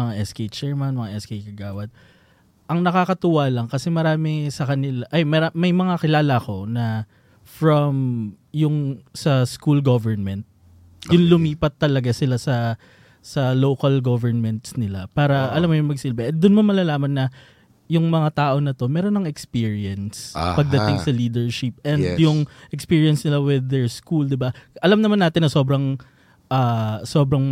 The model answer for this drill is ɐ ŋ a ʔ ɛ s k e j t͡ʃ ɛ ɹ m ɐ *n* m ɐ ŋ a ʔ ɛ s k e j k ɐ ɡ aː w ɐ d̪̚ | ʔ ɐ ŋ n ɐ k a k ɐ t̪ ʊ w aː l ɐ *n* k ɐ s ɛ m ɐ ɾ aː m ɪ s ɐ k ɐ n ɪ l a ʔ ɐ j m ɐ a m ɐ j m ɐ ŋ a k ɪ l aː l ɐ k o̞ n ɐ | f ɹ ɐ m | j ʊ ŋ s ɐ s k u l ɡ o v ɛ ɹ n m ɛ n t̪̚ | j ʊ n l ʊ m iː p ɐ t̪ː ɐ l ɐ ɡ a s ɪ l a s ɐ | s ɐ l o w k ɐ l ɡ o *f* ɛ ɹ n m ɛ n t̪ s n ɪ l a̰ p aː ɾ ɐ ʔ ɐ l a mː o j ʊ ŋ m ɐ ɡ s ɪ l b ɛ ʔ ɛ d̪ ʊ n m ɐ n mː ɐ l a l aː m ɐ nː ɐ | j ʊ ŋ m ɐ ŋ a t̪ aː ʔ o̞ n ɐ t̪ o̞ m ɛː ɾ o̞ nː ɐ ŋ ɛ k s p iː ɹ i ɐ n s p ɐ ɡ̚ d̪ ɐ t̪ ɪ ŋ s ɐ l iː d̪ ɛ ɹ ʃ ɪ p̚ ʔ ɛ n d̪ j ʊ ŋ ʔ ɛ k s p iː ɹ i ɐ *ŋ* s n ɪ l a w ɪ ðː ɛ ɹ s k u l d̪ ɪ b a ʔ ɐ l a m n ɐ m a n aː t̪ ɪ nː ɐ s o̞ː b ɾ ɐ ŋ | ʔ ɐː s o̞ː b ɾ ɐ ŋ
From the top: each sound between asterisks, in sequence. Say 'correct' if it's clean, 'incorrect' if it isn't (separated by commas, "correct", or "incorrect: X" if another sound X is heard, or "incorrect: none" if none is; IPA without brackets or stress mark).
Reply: correct, incorrect: ŋ, incorrect: v, incorrect: n